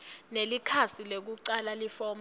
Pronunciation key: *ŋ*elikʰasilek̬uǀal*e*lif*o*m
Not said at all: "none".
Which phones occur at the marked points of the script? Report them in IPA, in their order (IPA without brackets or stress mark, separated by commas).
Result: n, a, ɔ